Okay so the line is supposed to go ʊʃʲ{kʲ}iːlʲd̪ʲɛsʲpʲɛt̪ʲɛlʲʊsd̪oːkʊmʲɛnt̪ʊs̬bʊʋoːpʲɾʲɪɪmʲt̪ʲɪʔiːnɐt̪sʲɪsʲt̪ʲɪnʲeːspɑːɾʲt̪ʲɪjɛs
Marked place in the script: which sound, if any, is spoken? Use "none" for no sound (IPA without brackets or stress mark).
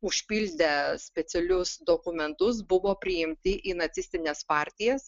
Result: pʲ